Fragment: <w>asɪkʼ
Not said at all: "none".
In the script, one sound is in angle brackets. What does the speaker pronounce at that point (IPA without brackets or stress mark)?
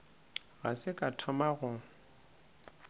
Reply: ɣ